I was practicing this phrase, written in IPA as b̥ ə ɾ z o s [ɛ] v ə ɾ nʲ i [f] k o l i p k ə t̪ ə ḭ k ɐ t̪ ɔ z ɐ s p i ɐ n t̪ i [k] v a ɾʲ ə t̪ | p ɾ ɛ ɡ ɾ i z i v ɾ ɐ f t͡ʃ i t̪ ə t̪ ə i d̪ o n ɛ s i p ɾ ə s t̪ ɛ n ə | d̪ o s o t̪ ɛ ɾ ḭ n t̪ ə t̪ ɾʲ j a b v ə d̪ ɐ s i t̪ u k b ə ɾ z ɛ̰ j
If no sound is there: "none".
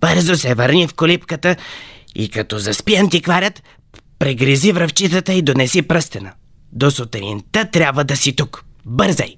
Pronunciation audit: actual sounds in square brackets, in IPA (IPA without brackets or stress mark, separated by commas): ɛ, f, k